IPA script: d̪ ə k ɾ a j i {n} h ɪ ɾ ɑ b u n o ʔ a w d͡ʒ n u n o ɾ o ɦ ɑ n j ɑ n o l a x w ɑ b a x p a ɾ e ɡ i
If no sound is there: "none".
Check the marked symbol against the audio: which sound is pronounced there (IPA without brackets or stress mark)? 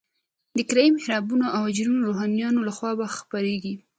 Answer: m